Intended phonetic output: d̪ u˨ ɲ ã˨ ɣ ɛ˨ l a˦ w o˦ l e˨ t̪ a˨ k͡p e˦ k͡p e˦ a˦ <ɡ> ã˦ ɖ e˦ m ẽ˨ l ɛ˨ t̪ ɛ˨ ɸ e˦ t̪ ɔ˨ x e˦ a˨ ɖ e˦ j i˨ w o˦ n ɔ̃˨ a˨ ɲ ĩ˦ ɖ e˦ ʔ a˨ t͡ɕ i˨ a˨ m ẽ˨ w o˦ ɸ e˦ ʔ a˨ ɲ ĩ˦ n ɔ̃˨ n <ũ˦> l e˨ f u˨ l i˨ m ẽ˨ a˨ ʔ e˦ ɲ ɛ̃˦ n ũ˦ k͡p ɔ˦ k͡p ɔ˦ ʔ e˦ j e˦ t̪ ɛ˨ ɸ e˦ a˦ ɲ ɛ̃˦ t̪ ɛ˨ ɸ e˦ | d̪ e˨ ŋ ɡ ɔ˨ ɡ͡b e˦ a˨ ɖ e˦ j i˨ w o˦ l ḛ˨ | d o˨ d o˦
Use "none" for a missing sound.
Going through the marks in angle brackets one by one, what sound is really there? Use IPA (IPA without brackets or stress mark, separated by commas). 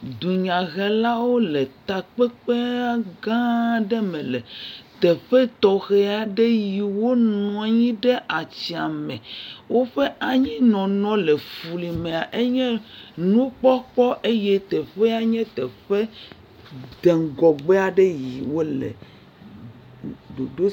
ɡ, ɔ̃˦